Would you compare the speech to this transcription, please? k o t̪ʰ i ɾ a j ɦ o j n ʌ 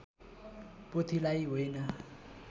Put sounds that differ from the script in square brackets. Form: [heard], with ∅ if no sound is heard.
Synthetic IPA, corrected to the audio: [p] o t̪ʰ i [l] a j ɦ o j n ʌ